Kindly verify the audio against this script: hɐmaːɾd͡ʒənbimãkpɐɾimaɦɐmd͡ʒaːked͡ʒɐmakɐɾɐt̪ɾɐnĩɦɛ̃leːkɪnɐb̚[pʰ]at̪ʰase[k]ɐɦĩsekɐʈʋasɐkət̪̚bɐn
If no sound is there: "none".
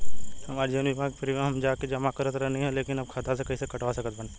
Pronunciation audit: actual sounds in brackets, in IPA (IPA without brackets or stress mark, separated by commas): kʰ, k